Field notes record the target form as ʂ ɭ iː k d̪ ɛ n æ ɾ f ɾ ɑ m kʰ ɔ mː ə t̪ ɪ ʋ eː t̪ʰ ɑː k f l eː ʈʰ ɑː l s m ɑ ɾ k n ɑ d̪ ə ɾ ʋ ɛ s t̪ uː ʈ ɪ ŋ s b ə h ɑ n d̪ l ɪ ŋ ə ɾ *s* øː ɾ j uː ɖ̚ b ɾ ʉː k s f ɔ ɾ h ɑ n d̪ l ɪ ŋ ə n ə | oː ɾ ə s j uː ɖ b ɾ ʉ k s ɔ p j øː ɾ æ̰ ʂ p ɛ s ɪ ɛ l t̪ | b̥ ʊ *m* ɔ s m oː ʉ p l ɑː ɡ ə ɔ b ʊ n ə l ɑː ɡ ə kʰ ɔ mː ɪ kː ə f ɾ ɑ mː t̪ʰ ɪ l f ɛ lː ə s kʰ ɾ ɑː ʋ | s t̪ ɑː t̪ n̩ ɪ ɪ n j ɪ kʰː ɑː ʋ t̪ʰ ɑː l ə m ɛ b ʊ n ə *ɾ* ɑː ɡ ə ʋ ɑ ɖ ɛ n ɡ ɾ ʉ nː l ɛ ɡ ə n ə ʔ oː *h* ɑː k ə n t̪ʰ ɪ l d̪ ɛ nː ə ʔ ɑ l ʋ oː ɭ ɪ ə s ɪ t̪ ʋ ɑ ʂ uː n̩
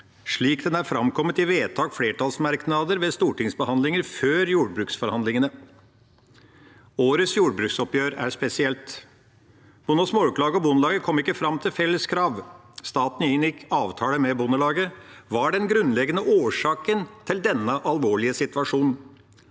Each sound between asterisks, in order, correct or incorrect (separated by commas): incorrect, incorrect, incorrect, incorrect